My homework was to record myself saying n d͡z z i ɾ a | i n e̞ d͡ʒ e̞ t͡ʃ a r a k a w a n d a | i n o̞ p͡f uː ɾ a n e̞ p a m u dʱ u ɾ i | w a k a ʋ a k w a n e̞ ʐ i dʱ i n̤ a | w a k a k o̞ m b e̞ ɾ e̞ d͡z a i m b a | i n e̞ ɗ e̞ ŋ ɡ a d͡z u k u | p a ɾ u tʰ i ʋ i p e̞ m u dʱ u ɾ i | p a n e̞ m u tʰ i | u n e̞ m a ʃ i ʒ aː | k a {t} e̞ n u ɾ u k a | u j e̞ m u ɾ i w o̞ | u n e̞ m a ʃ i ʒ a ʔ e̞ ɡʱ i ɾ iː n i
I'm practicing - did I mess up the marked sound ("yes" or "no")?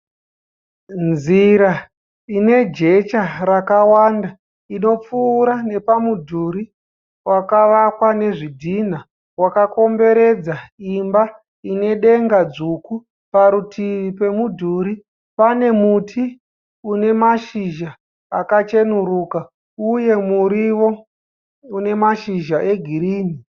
yes